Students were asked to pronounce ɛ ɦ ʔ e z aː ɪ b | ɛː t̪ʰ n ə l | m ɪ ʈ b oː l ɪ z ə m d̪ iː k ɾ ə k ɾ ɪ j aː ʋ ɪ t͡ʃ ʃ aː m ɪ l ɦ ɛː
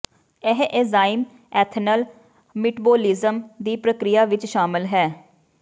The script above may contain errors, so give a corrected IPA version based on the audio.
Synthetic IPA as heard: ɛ ɦ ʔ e z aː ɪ m | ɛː t̪ʰ n ə l | m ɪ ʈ b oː l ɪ z ə m d̪ iː p ɾ ə k ɾ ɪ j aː ʋ ɪ t͡ʃ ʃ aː m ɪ l ɦ ɛː